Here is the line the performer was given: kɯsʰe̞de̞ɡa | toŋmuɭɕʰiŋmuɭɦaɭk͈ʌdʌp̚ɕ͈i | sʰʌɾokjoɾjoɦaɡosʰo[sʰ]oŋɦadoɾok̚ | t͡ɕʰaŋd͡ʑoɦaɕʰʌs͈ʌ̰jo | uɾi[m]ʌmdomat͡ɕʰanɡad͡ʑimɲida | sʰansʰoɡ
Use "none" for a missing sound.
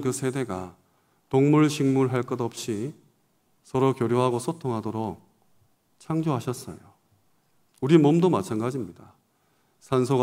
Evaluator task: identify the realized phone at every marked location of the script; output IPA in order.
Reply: tʰ, m

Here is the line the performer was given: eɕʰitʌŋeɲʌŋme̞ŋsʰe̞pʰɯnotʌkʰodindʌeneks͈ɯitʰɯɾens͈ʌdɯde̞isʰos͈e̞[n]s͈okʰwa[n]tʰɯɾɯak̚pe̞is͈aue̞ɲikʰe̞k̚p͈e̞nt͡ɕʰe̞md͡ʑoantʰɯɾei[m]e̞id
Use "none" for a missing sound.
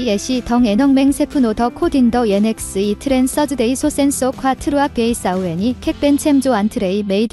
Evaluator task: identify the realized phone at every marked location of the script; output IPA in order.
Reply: n, none, m

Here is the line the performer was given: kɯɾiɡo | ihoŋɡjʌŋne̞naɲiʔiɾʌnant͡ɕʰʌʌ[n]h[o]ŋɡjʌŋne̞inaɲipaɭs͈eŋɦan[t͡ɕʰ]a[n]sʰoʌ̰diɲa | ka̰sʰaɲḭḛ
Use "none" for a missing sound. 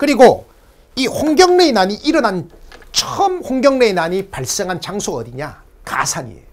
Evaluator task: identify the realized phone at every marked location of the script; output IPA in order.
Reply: m, o, t͡ɕ, ŋ

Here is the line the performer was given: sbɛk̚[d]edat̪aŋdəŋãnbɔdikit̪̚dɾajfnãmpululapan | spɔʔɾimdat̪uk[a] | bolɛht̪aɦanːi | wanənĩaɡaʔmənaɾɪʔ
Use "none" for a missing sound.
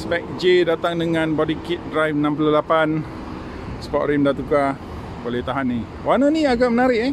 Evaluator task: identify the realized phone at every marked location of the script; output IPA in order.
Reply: d͡ʒ, a

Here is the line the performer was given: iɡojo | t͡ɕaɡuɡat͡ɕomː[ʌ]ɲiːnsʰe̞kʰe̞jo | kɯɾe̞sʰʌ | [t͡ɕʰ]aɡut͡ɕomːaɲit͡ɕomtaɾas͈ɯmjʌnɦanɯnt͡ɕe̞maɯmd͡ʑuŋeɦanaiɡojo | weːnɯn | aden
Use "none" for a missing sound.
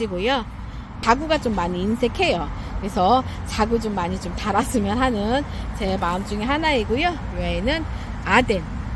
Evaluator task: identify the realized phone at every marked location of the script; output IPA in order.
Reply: a, t͡ɕ

